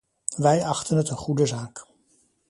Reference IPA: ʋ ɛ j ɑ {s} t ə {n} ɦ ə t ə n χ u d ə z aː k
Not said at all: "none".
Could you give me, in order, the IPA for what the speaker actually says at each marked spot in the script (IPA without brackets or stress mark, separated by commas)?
χ, n